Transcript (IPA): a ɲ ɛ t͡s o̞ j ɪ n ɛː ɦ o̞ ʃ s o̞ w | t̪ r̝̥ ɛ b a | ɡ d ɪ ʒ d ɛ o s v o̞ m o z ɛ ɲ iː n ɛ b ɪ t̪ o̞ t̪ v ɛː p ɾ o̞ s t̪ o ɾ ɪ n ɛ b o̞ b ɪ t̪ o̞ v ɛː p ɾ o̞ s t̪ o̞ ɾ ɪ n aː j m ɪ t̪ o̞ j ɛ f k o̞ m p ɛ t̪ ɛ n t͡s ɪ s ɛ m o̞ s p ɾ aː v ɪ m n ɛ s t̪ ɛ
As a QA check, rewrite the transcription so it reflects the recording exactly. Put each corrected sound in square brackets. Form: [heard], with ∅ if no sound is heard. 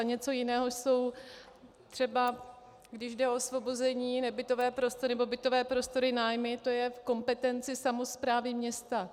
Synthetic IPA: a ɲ ɛ t͡s o̞ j ɪ n ɛː ɦ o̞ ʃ s o̞ w | t̪ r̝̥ ɛ b a | ɡ d ɪ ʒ d ɛ o s v o̞ [b] o z ɛ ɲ iː n ɛ b ɪ t̪ o̞ [∅] v ɛː p ɾ o̞ s t̪ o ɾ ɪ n ɛ b o̞ b ɪ t̪ o̞ v ɛː p ɾ o̞ s t̪ o̞ ɾ ɪ n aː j m ɪ t̪ o̞ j ɛ f k o̞ m p ɛ t̪ ɛ n t͡s ɪ s [a] m o̞ s p ɾ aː v ɪ m [ɲ] ɛ s t̪ [a]